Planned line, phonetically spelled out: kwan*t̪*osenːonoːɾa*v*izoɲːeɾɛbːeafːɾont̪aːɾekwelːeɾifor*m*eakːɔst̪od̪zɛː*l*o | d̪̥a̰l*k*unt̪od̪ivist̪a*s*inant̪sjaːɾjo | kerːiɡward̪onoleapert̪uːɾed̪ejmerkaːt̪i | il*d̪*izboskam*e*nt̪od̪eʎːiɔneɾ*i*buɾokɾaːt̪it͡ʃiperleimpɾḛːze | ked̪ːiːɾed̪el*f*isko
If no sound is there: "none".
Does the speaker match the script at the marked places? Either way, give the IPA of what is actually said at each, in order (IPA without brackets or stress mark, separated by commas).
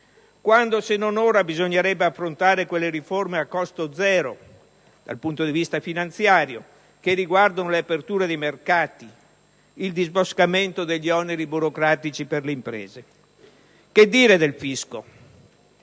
d̪, b, m, ɾ, p, f, d̪, e, i, f